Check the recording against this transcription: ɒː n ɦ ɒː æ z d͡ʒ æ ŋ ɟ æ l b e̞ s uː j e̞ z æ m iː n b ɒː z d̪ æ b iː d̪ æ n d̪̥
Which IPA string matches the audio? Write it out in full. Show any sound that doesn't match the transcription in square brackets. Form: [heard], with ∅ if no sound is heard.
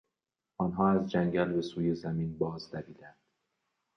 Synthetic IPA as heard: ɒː n ɦ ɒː æ z d͡ʒ æ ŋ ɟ æ l b e̞ s uː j e̞ z æ m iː n b ɒː z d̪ æ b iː d̪ æ n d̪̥